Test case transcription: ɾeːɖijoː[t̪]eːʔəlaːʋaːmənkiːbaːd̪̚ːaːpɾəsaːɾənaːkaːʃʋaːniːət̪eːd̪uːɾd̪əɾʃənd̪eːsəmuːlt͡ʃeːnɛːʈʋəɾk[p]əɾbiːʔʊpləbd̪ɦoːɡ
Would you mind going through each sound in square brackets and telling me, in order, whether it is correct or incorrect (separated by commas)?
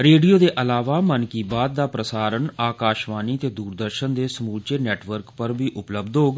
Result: incorrect, correct